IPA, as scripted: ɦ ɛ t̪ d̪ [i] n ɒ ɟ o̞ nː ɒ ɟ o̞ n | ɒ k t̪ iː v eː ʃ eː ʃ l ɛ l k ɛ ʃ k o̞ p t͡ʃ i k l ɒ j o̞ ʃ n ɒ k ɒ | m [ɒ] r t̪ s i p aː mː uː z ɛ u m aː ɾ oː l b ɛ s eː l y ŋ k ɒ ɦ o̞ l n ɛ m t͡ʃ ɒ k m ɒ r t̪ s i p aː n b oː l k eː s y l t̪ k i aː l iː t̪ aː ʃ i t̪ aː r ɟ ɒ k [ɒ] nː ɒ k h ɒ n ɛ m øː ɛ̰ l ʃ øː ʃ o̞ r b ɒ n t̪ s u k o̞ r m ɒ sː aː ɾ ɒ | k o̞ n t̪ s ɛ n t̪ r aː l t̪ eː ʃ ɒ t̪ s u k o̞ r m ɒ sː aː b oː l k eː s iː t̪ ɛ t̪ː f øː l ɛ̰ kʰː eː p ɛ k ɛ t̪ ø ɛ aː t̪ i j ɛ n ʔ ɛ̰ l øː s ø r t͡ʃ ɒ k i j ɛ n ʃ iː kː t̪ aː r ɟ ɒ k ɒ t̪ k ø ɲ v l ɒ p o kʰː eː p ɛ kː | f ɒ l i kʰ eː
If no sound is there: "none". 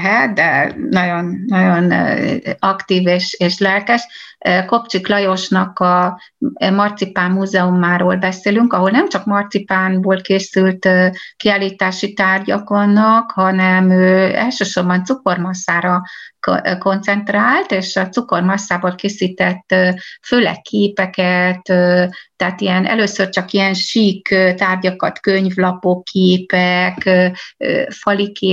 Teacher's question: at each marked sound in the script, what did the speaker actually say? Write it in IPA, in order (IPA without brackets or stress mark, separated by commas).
ɛ, ɒ, o